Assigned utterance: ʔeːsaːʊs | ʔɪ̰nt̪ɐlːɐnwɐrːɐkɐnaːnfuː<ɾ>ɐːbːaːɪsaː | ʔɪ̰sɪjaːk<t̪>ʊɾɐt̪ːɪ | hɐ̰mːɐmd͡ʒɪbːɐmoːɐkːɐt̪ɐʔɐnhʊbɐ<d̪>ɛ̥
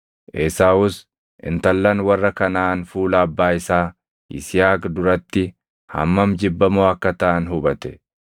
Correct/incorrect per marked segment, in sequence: incorrect, incorrect, incorrect

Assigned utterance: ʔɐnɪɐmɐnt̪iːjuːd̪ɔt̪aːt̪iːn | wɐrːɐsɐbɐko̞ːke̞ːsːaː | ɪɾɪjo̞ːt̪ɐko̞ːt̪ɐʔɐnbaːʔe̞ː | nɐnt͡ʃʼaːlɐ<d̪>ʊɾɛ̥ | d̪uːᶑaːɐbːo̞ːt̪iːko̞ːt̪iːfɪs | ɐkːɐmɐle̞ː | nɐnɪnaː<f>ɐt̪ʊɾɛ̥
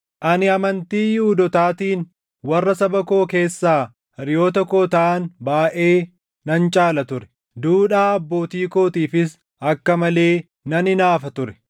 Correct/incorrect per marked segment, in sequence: incorrect, correct

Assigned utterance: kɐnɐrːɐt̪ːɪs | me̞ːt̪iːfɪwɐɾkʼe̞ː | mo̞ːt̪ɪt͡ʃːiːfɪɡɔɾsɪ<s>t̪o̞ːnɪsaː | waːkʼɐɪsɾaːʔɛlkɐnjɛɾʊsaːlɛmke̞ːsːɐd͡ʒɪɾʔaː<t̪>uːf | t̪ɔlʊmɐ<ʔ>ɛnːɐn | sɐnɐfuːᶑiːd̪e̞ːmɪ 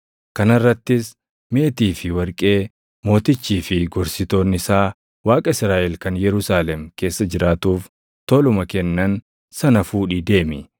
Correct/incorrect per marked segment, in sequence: incorrect, correct, incorrect

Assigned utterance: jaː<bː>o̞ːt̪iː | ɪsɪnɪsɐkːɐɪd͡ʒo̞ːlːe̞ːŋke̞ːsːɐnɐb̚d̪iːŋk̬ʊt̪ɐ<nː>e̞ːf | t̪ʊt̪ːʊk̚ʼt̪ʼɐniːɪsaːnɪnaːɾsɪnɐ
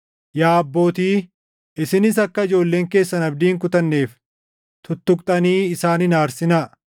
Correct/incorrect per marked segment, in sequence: correct, correct

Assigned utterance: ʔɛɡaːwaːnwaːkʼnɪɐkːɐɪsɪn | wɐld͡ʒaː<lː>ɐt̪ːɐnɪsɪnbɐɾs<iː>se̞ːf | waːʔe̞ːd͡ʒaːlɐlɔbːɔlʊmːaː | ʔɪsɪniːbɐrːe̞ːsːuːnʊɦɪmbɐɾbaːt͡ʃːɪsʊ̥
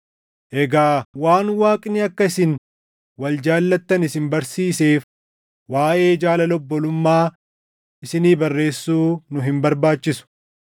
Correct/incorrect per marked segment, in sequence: correct, correct

